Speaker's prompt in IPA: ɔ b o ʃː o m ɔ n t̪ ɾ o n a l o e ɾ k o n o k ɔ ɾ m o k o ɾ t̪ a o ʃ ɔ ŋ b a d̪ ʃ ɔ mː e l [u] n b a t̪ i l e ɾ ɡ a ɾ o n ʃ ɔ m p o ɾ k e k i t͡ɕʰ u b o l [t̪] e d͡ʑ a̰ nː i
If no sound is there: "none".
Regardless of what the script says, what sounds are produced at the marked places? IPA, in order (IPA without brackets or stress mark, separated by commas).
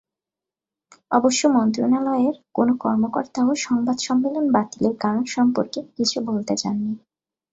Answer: o, t̪